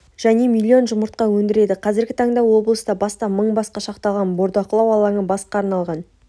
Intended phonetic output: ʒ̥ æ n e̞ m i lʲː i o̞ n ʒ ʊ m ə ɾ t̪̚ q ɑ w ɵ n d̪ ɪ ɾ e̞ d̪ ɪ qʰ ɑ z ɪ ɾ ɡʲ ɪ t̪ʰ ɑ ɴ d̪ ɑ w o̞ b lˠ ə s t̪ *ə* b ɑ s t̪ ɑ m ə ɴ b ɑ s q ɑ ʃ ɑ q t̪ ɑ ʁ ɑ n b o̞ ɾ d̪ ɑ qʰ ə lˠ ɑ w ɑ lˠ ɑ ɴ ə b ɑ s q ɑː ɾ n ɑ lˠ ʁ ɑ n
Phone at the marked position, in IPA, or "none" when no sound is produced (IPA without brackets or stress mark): ɑ